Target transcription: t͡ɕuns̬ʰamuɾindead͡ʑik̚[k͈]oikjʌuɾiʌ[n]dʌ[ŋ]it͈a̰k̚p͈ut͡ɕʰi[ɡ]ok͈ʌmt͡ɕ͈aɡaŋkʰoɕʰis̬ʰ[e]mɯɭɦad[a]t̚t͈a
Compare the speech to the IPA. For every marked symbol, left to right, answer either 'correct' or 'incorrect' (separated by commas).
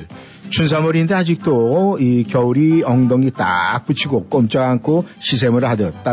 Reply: incorrect, incorrect, correct, correct, correct, incorrect